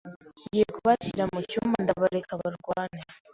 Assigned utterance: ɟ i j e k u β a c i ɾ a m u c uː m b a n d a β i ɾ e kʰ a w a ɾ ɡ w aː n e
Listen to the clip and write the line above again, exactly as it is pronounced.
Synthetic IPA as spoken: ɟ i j e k u β a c i ɾ a m u c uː m b a n d a β a ɾ e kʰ a β a ɾ ɡ w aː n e